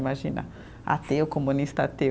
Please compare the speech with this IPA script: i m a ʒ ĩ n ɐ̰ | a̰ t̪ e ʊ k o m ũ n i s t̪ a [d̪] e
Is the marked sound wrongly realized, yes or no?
yes